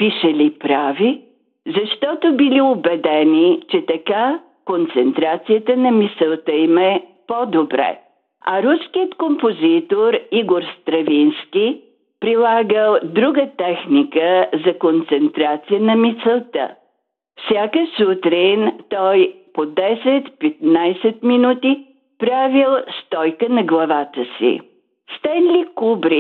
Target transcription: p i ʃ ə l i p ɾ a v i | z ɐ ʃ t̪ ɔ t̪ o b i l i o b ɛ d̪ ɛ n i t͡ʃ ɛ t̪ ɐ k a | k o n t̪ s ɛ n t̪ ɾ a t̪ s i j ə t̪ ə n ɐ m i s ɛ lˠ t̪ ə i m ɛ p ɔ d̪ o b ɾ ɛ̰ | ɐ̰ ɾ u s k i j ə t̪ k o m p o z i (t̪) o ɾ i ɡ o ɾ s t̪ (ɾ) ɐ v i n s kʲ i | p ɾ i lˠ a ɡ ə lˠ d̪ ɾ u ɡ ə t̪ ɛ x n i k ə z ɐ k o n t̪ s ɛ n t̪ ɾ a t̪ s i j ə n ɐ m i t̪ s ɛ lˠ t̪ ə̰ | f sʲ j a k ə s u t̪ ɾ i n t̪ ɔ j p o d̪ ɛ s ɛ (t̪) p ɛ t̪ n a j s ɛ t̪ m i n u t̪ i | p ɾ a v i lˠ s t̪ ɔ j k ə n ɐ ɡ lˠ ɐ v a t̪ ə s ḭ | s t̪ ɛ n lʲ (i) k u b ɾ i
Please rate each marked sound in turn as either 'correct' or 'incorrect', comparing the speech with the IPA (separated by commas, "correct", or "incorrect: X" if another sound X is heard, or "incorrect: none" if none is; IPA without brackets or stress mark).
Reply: correct, correct, correct, correct